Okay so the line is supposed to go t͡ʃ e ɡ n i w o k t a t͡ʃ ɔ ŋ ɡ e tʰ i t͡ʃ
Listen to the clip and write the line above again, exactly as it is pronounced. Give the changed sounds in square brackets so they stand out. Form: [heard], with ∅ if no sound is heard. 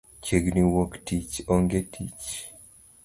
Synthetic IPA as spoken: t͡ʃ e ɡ n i w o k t [i] t͡ʃ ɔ ŋ ɡ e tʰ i t͡ʃ